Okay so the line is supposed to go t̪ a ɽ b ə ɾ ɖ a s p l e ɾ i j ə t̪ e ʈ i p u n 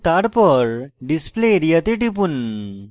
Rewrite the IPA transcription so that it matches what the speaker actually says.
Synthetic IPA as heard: t̪ a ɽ p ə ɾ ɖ i s p l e ɾ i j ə t̪ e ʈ i p u n